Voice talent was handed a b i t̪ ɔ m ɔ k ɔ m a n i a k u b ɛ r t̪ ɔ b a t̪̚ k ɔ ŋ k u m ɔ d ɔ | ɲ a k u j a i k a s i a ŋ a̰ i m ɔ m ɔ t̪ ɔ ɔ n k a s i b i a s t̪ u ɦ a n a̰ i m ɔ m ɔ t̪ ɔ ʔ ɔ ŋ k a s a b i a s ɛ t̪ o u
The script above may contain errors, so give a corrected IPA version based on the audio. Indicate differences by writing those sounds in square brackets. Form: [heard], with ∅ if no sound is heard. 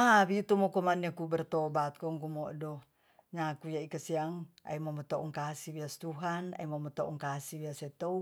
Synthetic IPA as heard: a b i t̪ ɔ m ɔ k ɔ m a n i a k u b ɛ r t̪ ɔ b a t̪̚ k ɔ ŋ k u m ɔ d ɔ | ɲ a k u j a i k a s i a ŋ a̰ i m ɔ m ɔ t̪ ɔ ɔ [ŋ] k a s i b i a s t̪ u ɦ a n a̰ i m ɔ m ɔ t̪ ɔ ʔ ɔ ŋ k a s [i] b i a s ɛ t̪ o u